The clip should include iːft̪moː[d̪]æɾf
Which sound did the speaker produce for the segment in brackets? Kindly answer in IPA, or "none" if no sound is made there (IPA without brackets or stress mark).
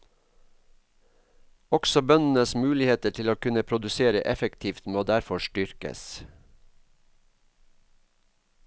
d̪